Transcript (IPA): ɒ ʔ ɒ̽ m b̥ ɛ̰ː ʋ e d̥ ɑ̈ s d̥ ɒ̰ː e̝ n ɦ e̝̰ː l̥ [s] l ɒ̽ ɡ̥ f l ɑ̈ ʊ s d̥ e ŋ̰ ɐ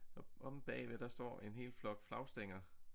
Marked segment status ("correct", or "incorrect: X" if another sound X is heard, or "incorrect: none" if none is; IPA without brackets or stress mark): incorrect: f